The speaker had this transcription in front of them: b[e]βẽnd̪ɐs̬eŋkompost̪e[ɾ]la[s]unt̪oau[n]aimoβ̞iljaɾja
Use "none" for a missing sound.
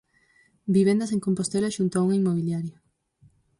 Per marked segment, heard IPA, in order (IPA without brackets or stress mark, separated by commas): i, none, ʃ, ŋ